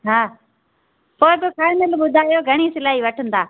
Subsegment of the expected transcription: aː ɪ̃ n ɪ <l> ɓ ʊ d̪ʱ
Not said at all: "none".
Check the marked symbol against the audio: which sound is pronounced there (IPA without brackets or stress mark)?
l